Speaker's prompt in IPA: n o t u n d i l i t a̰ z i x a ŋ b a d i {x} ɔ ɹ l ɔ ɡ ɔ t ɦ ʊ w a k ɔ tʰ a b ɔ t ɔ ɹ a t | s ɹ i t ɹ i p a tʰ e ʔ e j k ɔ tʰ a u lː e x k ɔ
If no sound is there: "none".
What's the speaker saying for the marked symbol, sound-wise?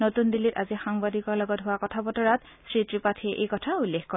k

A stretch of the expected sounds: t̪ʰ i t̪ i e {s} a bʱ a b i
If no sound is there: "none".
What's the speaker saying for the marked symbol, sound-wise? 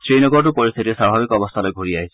s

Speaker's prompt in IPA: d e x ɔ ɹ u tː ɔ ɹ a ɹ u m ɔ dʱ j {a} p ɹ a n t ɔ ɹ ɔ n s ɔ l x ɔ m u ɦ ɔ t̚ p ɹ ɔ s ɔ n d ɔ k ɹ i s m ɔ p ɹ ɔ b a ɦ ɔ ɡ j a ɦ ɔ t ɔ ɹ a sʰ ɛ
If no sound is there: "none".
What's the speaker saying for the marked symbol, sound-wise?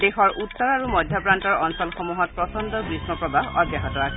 a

